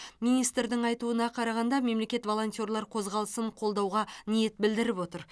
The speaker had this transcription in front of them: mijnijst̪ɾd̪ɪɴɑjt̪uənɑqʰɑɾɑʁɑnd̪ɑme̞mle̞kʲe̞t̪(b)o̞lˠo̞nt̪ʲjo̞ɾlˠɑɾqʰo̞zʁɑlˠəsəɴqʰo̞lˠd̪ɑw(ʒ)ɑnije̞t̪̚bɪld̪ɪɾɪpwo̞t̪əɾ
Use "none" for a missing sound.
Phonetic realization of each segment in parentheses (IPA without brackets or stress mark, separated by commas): v, ʁ